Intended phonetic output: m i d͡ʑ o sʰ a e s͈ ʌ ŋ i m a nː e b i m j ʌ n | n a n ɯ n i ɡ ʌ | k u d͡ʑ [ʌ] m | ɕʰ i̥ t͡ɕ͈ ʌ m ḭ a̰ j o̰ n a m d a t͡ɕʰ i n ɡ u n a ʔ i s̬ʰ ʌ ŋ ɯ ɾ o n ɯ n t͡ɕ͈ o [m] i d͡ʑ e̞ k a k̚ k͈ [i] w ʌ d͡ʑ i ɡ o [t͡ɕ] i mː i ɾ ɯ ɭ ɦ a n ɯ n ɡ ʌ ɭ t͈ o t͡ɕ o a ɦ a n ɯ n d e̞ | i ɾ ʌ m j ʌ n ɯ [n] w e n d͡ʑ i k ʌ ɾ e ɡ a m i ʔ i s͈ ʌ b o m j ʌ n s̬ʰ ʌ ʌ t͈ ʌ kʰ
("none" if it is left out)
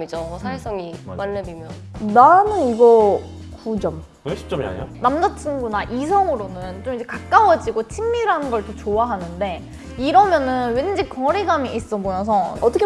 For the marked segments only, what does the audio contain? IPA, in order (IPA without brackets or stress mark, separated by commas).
ʌ, m, a, t͡ɕʰ, n